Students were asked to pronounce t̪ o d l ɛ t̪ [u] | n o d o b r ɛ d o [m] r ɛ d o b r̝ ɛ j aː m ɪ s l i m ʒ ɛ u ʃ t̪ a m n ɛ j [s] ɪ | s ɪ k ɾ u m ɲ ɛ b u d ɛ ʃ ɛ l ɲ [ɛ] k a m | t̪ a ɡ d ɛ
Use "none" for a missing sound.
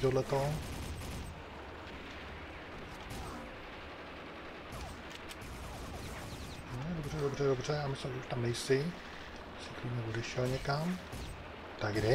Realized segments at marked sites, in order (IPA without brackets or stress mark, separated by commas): o, b, s, ɛ